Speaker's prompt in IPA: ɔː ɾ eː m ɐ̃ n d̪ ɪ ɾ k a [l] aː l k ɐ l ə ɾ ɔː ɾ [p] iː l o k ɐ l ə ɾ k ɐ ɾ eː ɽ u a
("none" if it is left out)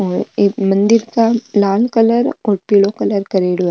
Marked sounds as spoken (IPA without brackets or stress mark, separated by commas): l, p